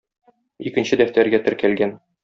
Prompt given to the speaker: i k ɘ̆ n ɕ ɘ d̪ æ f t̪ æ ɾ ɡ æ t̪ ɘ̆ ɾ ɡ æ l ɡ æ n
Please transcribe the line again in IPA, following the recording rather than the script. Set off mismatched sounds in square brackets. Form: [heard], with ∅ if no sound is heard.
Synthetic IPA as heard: i k ɘ̆ n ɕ ɘ d̪ æ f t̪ æ ɾ ɡ æ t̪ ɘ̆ ɾ [k] æ l ɡ æ n